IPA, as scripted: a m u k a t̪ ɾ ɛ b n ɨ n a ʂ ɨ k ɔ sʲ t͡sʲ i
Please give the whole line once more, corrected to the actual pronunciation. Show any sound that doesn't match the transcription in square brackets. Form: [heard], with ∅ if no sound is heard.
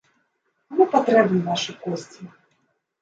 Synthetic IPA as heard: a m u [p] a t̪ ɾ ɛ b n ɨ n a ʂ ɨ k ɔ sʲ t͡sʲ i